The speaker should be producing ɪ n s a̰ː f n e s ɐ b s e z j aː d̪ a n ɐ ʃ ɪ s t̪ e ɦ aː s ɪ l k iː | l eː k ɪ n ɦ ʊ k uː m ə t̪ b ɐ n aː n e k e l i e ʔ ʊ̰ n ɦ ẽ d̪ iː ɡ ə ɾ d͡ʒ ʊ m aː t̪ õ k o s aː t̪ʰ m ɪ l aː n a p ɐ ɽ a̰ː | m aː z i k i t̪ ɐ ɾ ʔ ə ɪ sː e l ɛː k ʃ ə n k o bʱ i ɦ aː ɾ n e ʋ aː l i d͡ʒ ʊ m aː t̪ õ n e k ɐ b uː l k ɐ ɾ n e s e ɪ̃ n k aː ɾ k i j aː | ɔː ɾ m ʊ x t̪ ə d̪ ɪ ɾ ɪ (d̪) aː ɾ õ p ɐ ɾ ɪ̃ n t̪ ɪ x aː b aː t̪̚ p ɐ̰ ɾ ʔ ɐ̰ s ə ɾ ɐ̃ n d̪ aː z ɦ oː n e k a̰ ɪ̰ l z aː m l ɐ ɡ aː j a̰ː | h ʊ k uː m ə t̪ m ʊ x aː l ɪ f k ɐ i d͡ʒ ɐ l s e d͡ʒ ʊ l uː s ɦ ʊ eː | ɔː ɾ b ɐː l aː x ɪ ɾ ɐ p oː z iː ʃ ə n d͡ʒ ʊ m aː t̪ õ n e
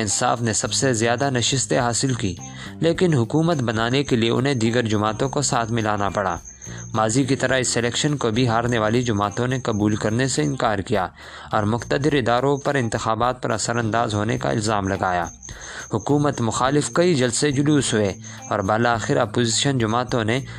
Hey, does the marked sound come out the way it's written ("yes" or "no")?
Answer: yes